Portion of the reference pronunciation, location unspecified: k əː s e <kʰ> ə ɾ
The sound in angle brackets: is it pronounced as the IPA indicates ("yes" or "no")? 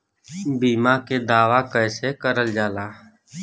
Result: no